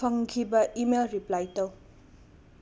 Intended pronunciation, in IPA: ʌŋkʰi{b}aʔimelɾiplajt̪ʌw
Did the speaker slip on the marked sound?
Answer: no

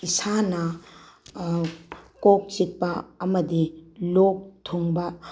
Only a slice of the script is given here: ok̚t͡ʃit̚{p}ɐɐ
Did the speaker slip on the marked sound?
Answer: no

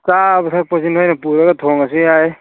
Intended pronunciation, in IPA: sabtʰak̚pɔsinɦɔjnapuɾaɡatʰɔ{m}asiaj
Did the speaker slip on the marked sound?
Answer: yes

